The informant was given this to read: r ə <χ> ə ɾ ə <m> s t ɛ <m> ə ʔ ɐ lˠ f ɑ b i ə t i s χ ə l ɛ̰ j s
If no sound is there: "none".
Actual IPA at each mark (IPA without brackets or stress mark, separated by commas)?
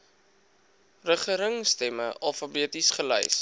χ, ŋ, m